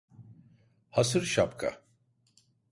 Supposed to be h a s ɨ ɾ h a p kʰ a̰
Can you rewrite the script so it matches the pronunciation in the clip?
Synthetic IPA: h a s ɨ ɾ ʃ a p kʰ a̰